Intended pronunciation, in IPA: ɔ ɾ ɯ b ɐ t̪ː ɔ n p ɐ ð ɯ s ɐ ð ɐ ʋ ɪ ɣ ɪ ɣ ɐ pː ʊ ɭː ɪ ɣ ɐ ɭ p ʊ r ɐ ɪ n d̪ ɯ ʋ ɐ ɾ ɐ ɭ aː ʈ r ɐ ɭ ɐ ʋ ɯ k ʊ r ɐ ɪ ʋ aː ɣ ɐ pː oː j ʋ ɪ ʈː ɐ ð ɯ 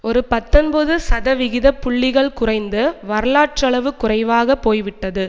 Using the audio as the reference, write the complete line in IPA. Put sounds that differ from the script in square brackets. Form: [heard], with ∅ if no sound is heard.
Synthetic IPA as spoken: ɔ ɾ ɯ [p] ɐ t̪ː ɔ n [b] ɐ ð ɯ s ɐ ð ɐ ʋ ɪ ɣ ɪ [ð] ɐ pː ʊ ɭː ɪ ɣ ɐ ɭ [k] ʊ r ɐ ɪ n d̪ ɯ ʋ ɐ ɾ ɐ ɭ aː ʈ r ɐ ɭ ɐ ʋ ɯ k ʊ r ɐ ɪ ʋ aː ɣ ɐ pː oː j ʋ ɪ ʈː ɐ ð ɯ

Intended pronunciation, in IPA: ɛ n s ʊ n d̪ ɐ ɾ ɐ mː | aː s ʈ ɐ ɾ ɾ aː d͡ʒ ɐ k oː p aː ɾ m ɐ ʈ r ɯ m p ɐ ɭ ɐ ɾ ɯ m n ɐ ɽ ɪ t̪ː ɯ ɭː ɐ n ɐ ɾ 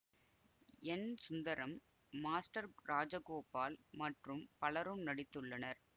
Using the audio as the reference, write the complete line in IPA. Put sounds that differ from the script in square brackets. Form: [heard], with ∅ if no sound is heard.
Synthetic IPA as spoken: ɛ n s ʊ n d̪ ɐ ɾ ɐ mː | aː s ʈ ɐ ɾ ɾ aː d͡ʒ ɐ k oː p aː [l] m ɐ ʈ r ɯ m p ɐ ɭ ɐ ɾ ɯ m n ɐ ɽ ɪ t̪ː ɯ ɭː ɐ n ɐ ɾ

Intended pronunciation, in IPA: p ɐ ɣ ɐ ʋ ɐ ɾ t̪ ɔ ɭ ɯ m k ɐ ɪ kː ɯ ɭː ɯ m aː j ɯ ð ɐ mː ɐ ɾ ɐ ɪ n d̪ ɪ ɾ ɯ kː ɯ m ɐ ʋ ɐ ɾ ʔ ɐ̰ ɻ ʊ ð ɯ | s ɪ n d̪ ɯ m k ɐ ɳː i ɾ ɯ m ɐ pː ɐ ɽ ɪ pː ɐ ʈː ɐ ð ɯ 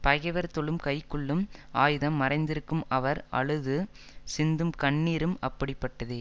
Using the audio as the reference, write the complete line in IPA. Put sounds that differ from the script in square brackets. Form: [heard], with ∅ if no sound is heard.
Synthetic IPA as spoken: p ɐ ɣ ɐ ʋ ɐ ɾ t̪ ɔ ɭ ɯ m k ɐ ɪ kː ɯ ɭː ɯ m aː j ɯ ð ɐ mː ɐ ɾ ɐ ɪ n d̪ ɪ ɾ ɯ kː ɯ m ɐ ʋ ɐ ɾ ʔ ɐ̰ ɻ [ɯ] ð ɯ | s ɪ n d̪ ɯ m k ɐ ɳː [iː] ɾ ɯ m ɐ pː ɐ ɽ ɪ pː ɐ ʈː ɐ ð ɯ

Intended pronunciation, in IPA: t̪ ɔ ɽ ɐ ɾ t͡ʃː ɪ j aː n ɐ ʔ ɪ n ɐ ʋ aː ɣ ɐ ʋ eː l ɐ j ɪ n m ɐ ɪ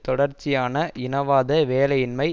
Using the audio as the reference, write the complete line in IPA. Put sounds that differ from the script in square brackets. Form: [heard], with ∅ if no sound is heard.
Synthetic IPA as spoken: t̪ ɔ ɽ ɐ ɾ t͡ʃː ɪ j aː n ɐ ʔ ɪ n ɐ ʋ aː [ð] ɐ ʋ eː l ɐ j ɪ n m ɐ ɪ

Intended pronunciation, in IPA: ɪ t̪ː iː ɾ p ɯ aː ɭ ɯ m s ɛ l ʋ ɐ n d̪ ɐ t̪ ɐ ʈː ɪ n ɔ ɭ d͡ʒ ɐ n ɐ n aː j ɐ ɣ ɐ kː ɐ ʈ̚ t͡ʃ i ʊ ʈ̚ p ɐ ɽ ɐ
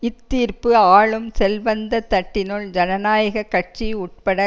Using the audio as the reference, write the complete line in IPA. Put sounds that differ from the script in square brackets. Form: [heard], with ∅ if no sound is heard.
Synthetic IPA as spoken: ɪ t̪ː iː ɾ p ɯ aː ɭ ɯ m s ɛ l ʋ ɐ n d̪ ɐ t̪ ɐ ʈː ɪ n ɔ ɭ d͡ʒ ɐ n ɐ n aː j ɐ ɣ ɐ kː ɐ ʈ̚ t͡ʃ i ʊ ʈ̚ p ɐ ɽ ɐ

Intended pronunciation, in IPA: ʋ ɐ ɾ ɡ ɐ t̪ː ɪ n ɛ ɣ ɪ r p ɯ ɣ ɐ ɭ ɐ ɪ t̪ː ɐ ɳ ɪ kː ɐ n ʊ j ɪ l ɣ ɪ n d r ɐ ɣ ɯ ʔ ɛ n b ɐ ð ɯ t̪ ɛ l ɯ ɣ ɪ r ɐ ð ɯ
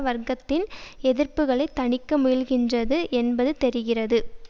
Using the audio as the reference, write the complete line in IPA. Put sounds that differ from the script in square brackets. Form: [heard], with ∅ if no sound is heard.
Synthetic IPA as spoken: ʋ ɐ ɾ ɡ ɐ t̪ː ɪ n ɛ [ð] ɪ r p ɯ ɣ ɐ ɭ ɐ ɪ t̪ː ɐ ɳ ɪ kː ɐ [m] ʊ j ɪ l ɣ ɪ n d r ɐ [ð] ɯ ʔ ɛ n b ɐ ð ɯ t̪ ɛ [ɾ] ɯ ɣ ɪ r ɐ ð ɯ

